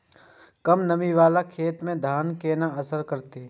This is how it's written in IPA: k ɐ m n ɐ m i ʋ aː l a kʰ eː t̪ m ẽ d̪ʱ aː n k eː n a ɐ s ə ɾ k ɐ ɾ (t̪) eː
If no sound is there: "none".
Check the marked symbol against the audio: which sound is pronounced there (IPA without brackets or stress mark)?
t̪